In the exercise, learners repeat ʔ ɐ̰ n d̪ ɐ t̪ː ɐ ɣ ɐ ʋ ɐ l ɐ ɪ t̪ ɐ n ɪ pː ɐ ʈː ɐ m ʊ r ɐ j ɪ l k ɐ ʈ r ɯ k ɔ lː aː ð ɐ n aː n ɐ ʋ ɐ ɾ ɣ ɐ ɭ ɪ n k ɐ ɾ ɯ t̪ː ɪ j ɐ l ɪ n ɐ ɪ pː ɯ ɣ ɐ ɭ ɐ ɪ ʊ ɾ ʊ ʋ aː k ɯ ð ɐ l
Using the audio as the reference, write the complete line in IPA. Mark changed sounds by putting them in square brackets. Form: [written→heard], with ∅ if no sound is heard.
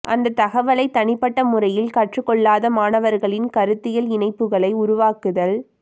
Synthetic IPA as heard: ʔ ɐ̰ n d̪ ɐ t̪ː ɐ ɣ ɐ ʋ ɐ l ɐ ɪ t̪ ɐ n ɪ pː ɐ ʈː ɐ m ʊ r ɐ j ɪ l k ɐ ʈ r ɯ k ɔ [lː→ɭː] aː ð ɐ [n→m] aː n ɐ ʋ ɐ ɾ ɣ ɐ ɭ ɪ n k ɐ ɾ ɯ t̪ː ɪ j ɐ l ɪ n ɐ ɪ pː ɯ ɣ ɐ ɭ ɐ ɪ ʊ ɾ ʊ ʋ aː k ɯ ð ɐ l